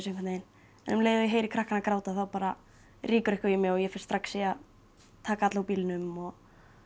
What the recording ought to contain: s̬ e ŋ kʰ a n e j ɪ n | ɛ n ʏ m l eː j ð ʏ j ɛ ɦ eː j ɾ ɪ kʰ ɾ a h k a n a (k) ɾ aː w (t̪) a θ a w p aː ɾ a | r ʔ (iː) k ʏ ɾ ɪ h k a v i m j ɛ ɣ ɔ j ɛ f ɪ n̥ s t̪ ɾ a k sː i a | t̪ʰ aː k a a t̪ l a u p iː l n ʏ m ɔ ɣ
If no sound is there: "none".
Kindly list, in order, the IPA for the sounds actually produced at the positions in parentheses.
k, t̪, iː

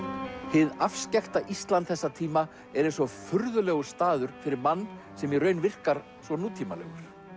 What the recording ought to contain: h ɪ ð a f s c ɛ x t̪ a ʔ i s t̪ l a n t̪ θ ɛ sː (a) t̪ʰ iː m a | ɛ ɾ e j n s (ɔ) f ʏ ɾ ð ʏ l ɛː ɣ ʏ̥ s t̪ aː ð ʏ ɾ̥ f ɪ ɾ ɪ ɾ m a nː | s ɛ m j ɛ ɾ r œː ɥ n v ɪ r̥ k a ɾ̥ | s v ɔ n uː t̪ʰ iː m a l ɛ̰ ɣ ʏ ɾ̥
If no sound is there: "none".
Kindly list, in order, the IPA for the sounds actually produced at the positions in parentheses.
a, ɔ

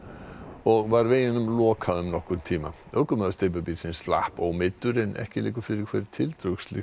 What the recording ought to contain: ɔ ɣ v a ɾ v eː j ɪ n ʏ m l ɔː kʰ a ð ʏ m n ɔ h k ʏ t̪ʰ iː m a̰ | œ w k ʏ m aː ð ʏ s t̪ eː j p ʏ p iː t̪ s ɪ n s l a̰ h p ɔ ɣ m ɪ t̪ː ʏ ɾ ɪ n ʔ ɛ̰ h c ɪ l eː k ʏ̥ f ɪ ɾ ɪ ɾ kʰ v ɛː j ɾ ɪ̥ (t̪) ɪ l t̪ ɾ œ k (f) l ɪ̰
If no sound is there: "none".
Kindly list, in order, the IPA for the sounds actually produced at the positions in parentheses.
t̪ʰ, s

